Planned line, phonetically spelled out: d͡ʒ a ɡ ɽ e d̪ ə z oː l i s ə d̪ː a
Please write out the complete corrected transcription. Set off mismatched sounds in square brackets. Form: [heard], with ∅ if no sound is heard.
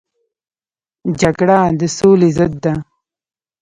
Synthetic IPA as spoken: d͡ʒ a ɡ ɽ [a] d̪ ə [s] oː l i [z] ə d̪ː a